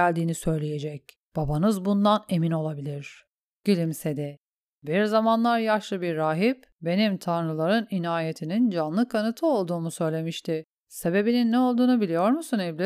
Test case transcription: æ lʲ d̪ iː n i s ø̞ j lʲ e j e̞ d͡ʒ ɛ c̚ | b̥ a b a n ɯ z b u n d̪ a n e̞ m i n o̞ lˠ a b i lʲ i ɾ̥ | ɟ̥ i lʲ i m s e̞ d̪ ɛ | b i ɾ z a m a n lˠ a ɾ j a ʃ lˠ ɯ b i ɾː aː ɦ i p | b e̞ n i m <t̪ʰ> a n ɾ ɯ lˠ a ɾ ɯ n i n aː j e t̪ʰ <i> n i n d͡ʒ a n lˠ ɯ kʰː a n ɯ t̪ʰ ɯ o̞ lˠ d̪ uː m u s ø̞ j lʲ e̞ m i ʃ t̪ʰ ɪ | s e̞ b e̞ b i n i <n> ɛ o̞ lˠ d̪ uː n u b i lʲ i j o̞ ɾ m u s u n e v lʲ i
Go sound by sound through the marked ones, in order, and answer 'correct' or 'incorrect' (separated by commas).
correct, correct, incorrect